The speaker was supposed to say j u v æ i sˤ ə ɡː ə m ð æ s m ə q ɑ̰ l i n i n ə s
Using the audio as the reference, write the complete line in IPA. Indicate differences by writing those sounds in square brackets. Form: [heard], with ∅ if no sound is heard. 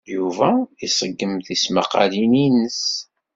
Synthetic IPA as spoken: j u v æ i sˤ ə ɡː ə m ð [i] s m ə q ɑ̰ l i n i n ə s